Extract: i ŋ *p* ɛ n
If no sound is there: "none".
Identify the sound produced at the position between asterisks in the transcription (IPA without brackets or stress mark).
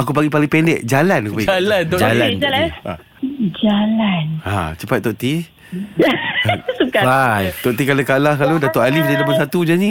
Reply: p